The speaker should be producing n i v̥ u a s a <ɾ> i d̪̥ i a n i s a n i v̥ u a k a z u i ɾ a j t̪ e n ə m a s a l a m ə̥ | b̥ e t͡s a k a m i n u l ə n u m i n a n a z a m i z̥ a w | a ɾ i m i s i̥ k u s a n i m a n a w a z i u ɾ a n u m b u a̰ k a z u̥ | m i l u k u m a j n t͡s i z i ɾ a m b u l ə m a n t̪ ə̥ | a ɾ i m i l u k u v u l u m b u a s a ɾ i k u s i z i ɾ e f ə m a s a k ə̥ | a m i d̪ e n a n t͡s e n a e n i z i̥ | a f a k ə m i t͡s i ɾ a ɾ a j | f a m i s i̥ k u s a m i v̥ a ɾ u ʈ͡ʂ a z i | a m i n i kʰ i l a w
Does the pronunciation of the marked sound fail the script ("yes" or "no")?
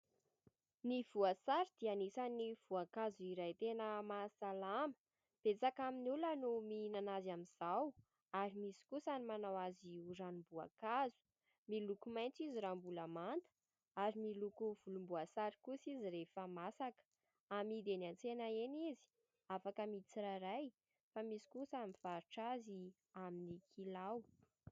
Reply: no